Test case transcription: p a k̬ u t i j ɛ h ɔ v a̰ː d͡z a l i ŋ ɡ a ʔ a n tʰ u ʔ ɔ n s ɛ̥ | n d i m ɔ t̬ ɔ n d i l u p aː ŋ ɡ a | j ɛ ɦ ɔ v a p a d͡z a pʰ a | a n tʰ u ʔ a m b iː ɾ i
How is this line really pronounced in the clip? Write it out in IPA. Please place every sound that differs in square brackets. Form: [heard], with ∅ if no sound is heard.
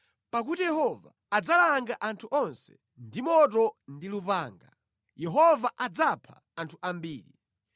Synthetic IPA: p a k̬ u t i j ɛ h ɔ v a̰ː d͡z a l [a] ŋ ɡ a ʔ a n tʰ u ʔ ɔ n s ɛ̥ | n d i m ɔ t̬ ɔ n d i l u p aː ŋ ɡ a | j ɛ ɦ ɔ v a [ʔ] a d͡z a pʰ a | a n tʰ u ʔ a m b iː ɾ i

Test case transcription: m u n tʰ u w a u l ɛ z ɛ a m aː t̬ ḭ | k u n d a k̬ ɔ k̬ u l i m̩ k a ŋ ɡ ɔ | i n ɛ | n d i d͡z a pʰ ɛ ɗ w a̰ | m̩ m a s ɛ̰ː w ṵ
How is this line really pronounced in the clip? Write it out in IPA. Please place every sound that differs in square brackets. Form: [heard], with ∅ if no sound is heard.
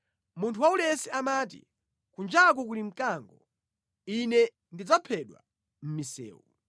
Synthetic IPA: m u n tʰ u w a u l ɛ [s] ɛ a m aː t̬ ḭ | k u n [d͡ʒ] a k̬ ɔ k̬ u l i m̩ k a ŋ ɡ ɔ | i n ɛ | n d i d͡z a pʰ ɛ ɗ w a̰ | m̩ m [i] s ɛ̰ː w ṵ

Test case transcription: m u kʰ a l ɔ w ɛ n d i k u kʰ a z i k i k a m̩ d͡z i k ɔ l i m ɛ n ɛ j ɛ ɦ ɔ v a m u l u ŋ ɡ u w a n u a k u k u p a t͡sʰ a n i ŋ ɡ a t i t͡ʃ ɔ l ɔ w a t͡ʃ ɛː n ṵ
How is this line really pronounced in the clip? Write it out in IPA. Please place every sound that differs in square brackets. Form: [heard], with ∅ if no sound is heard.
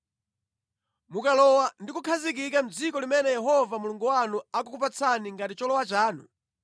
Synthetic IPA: m u [k] a l ɔ w [a] n d i k u kʰ a z i k i k a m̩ d͡z i k ɔ l i m ɛ n ɛ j ɛ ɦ ɔ v a m u l u ŋ ɡ u w a n u a k u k u p a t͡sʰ a n i ŋ ɡ a t i t͡ʃ ɔ l ɔ w a t͡ʃ [aː] n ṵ

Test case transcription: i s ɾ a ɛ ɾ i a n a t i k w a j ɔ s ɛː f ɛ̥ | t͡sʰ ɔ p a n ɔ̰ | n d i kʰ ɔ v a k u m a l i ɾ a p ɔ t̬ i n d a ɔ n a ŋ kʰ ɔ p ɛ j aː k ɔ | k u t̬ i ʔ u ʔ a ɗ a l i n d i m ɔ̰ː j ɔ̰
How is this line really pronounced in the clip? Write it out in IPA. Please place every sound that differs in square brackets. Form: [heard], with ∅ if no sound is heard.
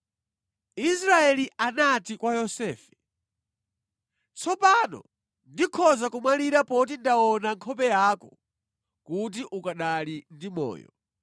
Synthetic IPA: i s ɾ a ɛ [l] i a n a t i k w a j ɔ s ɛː f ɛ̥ | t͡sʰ ɔ p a n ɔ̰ | n d i kʰ ɔ [z] a k u m a l i ɾ a p ɔ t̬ i n d a ɔ n a ŋ kʰ ɔ p ɛ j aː k ɔ | k u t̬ i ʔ u [k] a ɗ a l i n d i m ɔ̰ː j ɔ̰

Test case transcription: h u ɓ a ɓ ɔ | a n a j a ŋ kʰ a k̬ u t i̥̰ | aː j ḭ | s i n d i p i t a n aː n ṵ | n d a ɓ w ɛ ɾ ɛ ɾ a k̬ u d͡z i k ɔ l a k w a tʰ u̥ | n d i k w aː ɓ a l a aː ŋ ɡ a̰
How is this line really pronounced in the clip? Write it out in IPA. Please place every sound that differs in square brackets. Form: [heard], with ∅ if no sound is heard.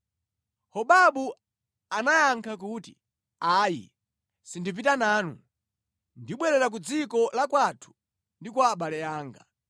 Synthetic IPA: h [ɔ] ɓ a ɓ [u] | a n a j a ŋ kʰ a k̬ u t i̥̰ | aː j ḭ | s i n d i p i t a n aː n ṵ | n d [i] ɓ w ɛ ɾ ɛ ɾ a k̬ u d͡z i k ɔ l a k w a tʰ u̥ | n d i k w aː ɓ a l [ɛ] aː ŋ ɡ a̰

